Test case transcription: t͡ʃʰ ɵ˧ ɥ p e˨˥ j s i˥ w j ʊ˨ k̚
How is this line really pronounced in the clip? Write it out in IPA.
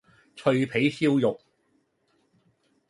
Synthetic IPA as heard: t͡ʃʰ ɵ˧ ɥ pʰ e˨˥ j s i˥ w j ʊ˨ k̚